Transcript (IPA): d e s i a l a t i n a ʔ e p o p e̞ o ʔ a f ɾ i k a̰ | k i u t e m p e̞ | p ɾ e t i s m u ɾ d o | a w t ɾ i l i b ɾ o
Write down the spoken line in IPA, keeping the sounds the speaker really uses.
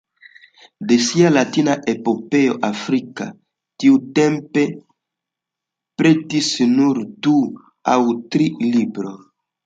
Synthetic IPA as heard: d e s i a l a t i n a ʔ e p o p e̞ o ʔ a f ɾ i k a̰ | t i u t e m p e̞ | p ɾ e t i s n u ɾ d u | a w t ɾ i l i b ɾ o